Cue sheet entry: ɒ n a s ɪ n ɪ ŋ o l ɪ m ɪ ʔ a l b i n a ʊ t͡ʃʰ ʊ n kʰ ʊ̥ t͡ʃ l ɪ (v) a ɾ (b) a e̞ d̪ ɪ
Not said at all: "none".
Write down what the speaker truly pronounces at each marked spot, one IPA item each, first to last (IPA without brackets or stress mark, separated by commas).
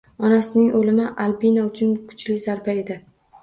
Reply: z, b